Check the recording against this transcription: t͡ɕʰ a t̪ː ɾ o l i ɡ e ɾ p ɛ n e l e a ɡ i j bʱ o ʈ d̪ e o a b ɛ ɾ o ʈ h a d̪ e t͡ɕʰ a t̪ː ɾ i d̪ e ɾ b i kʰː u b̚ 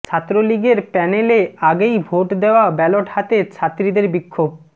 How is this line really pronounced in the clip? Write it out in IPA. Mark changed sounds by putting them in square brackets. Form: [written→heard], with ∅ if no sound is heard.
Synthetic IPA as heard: t͡ɕʰ a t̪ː ɾ o l i ɡ e ɾ p ɛ n e l e a ɡ [i→e] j bʱ o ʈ d̪ e o a b ɛ [ɾ→l] o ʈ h a [d̪→t̪] e t͡ɕʰ a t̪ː ɾ i d̪ e ɾ b i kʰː [u→o] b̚